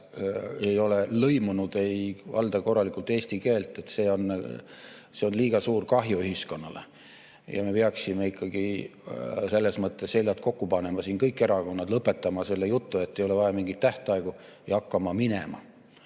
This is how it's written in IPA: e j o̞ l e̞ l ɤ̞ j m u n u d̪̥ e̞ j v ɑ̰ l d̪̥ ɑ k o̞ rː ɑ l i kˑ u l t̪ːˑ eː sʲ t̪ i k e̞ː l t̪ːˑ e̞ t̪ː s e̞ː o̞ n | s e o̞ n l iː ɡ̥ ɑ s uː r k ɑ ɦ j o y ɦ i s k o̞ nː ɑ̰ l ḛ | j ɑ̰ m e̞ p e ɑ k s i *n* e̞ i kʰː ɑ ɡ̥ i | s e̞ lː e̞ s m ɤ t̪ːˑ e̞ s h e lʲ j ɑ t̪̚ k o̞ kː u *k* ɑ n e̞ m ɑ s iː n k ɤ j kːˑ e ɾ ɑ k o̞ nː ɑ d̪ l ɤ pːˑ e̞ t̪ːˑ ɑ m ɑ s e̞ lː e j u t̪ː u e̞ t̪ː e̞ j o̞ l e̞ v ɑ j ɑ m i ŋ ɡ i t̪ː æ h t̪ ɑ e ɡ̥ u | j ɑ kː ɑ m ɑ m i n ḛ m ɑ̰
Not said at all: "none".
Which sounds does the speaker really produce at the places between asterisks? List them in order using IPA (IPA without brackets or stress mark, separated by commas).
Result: m, p